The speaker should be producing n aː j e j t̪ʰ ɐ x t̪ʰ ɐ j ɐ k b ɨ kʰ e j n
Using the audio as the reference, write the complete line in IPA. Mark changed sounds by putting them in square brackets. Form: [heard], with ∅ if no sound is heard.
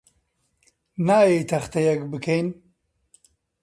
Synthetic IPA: n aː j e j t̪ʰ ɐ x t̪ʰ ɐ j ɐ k b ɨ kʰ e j n